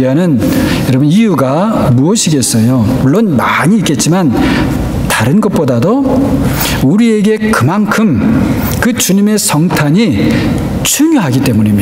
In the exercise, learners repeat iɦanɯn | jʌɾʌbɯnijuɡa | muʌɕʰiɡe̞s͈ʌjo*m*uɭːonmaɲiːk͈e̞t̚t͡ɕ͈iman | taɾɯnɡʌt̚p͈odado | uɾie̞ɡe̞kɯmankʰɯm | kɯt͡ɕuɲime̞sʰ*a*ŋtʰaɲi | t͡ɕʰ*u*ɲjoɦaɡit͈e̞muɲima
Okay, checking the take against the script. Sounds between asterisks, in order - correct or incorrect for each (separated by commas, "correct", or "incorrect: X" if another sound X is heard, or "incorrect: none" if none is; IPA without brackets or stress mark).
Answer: correct, incorrect: ʌ, correct